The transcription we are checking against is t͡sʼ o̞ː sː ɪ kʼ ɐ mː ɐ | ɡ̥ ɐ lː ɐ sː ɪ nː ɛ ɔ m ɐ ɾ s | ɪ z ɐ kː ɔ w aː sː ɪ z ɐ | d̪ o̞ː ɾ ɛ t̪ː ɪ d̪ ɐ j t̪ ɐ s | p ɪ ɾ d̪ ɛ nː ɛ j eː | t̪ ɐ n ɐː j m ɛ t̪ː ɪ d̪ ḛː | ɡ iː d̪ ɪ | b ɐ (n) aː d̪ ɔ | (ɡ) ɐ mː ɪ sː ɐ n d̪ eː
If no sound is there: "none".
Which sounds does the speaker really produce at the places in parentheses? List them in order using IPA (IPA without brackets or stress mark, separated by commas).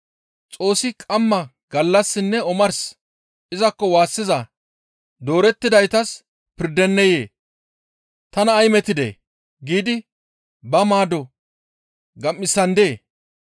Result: m, ɡ